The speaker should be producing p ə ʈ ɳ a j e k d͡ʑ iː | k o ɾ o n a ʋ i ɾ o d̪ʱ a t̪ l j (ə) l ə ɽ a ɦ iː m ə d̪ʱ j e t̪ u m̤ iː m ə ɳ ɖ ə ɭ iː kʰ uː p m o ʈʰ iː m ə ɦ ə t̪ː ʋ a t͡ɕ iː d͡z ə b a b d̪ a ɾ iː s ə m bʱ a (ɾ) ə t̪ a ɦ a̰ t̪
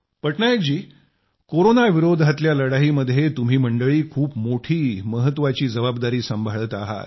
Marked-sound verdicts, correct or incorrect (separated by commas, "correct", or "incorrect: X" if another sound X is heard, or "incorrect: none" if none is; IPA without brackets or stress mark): incorrect: a, incorrect: ɭ